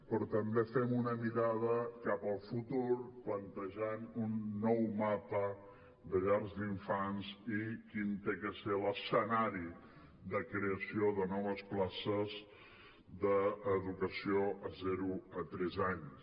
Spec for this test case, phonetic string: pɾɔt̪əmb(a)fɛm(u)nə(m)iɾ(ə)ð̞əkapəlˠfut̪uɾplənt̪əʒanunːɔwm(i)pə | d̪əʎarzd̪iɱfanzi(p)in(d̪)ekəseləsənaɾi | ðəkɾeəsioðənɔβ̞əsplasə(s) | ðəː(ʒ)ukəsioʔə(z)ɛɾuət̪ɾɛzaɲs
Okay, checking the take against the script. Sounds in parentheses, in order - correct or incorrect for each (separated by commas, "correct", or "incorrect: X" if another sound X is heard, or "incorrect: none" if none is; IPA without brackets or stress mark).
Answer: incorrect: e, correct, correct, incorrect: a, incorrect: a, incorrect: k, incorrect: t̪, incorrect: z, incorrect: ð, correct